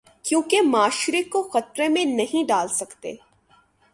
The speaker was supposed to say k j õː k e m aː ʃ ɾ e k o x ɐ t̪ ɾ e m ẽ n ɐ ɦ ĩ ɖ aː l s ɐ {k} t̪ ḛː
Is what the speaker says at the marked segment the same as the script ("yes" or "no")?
yes